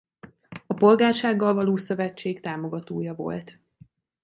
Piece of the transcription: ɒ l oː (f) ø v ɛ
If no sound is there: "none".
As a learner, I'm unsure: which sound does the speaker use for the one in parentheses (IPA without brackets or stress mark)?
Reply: s